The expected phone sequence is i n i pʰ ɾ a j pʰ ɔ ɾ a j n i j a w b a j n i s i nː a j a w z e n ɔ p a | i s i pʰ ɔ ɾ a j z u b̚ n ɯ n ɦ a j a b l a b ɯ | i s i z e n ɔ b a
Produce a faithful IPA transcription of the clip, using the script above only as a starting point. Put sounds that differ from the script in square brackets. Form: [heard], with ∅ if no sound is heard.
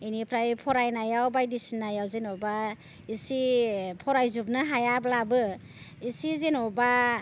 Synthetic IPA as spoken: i n i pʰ ɾ a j pʰ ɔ ɾ a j n [a] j a w b a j [d] i s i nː a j a w z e n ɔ [b] a | i s i pʰ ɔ ɾ a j z u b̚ n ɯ [∅] ɦ a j a b l a b ɯ | i s i z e n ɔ b a

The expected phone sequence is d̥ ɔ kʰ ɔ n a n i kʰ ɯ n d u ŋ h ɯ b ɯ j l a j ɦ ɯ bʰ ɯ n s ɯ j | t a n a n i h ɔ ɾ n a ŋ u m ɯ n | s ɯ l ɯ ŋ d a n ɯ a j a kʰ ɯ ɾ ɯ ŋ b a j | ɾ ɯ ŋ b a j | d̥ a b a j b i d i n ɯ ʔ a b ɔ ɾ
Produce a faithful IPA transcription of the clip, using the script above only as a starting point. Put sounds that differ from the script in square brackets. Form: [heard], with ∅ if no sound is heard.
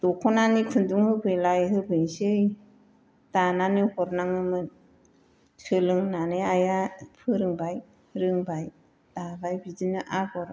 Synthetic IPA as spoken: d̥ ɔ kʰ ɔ n a n i kʰ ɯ n d u ŋ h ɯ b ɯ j l a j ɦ ɯ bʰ ɯ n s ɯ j | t a n a n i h ɔ ɾ n a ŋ [ɯ] m ɯ n | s ɯ l ɯ ŋ [n] a n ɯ a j a [pʰ] ɯ ɾ ɯ ŋ b a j | ɾ ɯ ŋ b a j | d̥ a b a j b i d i n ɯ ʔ a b ɔ ɾ

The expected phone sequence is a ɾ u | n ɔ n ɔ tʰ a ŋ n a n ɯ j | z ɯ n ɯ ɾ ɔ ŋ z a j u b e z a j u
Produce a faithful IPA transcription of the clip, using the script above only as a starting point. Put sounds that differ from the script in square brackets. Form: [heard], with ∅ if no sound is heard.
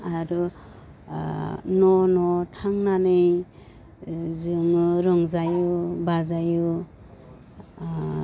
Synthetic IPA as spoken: a ɾ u | n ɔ n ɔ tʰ a ŋ n a n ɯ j | z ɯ [ŋ] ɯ ɾ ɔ ŋ z a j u b [a] z a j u

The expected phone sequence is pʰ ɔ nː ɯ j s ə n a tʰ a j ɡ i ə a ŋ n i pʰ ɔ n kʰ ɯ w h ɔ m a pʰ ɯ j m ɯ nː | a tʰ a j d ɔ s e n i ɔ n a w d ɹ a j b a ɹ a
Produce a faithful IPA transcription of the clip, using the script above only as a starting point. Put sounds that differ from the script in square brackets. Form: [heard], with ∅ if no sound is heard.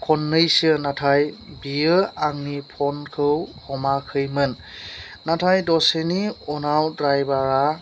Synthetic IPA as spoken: [kʰ] ɔ nː ɯ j s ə n a tʰ a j [b] i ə a ŋ n i pʰ ɔ n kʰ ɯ w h ɔ m a [kʰ] ɯ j m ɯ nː | a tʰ a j d ɔ s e n i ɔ n a w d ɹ a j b a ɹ a

